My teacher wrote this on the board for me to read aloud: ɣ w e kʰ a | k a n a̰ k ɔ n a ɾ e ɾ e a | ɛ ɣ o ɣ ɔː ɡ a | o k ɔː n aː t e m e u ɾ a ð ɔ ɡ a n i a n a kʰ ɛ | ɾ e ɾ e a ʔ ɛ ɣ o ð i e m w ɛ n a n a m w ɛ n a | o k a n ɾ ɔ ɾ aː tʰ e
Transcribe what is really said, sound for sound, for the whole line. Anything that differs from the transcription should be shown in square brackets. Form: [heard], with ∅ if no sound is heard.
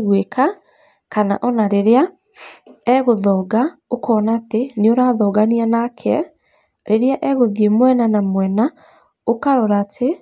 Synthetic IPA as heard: ɣ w e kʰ a | k a n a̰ [ʔ] ɔ n a ɾ e ɾ e a | ɛ ɣ o [ð] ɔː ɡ a | o k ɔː n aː t e [n] e [o] ɾ a ð ɔ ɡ a n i a n a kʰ ɛ | ɾ e ɾ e a ʔ ɛ ɣ o ð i e m w ɛ n a n a m w ɛ n a | o k a [∅] ɾ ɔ ɾ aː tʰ e